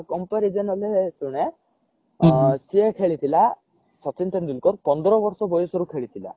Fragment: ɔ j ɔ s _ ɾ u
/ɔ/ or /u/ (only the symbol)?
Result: ɔ